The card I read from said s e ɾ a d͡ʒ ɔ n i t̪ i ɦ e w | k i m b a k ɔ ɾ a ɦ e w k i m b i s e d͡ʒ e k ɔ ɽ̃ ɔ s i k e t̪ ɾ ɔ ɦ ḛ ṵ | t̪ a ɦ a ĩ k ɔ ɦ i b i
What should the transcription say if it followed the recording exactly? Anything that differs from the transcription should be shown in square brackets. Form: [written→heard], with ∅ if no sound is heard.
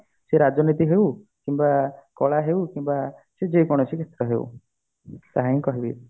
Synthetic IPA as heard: s e ɾ a d͡ʒ ɔ n i t̪ i ɦ e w | k i m b a k ɔ [ɾ→ɭ] a ɦ e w k i m b [i→a] s e d͡ʒ e k ɔ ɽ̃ ɔ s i k e t̪ ɾ ɔ ɦ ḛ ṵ | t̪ a ɦ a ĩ k ɔ ɦ i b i